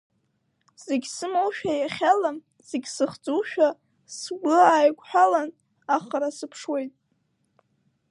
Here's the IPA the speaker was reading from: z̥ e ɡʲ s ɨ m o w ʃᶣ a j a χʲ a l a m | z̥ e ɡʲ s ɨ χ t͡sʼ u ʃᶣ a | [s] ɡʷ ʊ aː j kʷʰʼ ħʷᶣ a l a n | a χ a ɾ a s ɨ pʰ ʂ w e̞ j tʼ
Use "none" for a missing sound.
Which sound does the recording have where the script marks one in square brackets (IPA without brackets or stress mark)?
s